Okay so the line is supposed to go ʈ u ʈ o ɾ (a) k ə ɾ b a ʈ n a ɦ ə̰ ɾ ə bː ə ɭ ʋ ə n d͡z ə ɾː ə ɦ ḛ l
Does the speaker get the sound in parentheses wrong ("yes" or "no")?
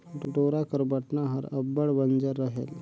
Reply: no